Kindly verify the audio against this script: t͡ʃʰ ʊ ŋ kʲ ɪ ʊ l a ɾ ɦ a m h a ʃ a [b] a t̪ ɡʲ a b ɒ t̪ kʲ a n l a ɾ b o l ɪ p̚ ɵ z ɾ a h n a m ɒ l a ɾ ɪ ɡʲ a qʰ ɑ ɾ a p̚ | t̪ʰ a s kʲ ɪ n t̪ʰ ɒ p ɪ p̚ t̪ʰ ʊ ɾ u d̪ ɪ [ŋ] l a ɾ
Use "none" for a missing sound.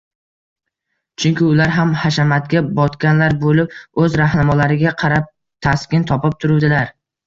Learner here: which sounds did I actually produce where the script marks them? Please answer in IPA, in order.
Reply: m, none

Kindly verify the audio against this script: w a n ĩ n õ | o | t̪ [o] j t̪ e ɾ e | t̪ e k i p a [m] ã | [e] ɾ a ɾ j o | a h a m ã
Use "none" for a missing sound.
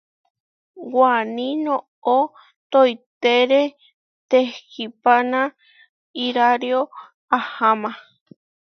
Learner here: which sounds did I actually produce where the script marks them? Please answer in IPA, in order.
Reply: o, n, i

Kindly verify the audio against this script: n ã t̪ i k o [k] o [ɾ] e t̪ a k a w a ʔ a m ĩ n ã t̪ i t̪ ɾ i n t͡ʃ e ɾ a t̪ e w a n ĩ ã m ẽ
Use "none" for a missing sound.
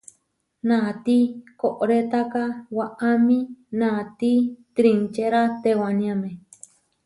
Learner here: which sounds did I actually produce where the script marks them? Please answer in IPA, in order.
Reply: ʔ, ɾ

